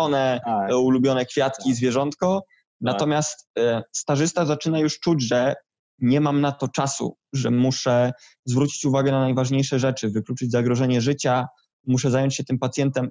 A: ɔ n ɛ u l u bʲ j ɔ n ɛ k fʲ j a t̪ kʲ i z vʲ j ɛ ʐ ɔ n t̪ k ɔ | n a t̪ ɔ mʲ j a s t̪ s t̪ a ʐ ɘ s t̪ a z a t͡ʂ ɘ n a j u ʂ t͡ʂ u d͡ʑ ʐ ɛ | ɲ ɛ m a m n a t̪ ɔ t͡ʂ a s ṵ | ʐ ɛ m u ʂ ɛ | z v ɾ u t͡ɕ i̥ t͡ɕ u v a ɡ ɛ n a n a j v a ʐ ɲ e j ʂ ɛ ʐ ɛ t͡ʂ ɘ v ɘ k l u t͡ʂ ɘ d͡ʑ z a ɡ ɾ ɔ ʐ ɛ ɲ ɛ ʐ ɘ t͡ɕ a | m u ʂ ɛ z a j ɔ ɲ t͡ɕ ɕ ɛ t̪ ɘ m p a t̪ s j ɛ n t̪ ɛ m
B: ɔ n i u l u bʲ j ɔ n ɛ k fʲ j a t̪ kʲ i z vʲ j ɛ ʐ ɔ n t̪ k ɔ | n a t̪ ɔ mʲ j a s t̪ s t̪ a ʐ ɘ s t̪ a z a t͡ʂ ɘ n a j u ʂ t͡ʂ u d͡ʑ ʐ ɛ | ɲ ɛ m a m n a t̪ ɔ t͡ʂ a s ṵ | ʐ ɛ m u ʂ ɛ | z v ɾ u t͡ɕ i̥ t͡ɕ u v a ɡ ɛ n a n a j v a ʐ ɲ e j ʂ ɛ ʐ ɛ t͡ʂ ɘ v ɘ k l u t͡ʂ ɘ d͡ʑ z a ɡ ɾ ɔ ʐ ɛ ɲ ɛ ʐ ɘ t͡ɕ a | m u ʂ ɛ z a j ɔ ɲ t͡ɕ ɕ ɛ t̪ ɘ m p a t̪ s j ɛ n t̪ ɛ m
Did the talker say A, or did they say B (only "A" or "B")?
A